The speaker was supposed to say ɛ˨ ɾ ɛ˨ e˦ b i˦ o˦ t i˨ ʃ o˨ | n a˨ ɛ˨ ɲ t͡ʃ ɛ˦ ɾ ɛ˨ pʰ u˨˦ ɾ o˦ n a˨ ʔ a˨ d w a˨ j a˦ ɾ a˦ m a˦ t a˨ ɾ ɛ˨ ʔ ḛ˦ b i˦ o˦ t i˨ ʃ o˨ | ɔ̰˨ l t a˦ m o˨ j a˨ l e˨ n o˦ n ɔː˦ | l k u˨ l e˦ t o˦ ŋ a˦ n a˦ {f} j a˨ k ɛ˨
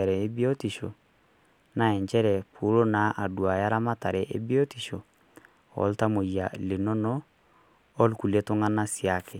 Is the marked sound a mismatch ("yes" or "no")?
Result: yes